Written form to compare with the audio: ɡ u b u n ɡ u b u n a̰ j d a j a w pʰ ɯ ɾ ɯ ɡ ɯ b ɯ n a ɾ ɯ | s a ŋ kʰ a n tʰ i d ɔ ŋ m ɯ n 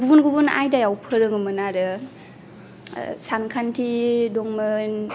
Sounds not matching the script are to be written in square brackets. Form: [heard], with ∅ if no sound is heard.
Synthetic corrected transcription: ɡ u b u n ɡ u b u n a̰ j d a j a w pʰ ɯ ɾ ɯ [ŋ] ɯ [m] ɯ n a ɾ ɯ | s a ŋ kʰ a n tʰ i d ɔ ŋ m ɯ n